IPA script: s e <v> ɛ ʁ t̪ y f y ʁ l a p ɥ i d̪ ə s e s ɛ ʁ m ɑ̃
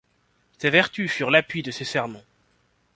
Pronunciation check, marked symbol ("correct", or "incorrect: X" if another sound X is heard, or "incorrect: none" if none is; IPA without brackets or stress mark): correct